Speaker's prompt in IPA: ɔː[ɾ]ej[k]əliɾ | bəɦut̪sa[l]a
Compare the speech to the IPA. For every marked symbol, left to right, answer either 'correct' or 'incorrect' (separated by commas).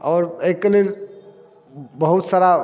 correct, correct, incorrect